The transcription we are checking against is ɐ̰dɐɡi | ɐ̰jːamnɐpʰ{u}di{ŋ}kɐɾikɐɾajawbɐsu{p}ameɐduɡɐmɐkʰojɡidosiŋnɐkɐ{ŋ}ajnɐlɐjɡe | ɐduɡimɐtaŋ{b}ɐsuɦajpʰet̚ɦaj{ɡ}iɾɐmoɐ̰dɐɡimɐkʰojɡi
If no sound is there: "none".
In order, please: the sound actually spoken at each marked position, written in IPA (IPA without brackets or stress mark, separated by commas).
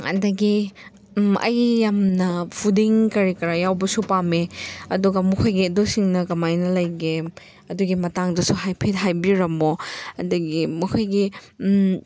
u, ŋ, p, m, d, b